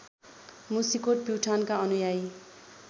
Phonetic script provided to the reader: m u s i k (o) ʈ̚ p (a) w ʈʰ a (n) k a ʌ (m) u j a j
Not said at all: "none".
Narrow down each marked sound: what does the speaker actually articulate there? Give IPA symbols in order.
o, i, n, n

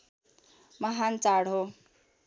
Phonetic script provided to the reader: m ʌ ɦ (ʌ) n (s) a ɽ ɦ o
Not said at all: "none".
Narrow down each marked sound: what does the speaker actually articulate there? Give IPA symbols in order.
a, t͡s

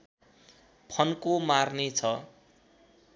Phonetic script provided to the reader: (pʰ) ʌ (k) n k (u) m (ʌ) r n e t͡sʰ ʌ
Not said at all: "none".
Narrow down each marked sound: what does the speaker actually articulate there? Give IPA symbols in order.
pʰ, none, o, a

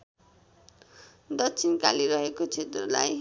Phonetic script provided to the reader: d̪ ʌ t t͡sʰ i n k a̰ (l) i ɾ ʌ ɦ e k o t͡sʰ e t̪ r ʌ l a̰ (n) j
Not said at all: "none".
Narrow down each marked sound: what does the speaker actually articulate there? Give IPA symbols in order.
l, none

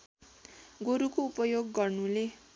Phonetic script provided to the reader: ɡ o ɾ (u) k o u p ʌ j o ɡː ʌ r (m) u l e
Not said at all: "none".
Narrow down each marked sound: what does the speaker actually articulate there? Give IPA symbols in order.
u, n

